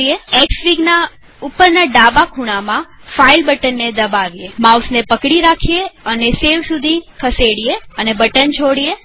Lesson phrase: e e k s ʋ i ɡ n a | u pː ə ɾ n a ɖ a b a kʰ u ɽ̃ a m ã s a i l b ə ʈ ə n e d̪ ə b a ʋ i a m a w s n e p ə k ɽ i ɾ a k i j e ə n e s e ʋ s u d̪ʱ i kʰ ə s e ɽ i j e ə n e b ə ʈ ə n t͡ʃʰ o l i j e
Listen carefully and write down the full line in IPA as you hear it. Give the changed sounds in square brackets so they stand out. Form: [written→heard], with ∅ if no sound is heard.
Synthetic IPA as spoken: e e k s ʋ i ɡ n a | u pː ə ɾ n a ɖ a b a kʰ u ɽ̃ a m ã [s→f] a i l b ə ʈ ə [n→nː] e d̪ ə b a ʋ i [a→e] m a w s n e p ə k ɽ i ɾ a [k→kʰ] i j e ə n e s e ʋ s u d̪ʱ i kʰ ə s e ɽ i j e ə n e b ə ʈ ə n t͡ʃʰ o [l→ɽ] i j e